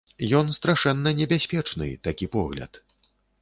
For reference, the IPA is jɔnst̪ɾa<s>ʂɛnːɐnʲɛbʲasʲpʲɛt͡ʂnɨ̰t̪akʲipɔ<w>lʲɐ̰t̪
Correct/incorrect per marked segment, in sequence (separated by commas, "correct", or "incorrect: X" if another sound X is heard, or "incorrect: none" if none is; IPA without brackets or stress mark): incorrect: none, incorrect: ɣ